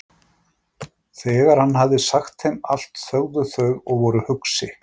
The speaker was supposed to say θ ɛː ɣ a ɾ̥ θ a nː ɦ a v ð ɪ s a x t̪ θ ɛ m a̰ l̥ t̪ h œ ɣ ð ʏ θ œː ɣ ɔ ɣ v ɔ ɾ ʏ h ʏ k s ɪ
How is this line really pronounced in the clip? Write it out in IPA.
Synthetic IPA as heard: θ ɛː ɣ a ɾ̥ h a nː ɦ a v ð ɪ s a x t̪ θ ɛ m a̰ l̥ t̪ θ œ ɣ ð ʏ θ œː ɣ ɔ ɣ v ɔ ɾ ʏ h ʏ k s ɪ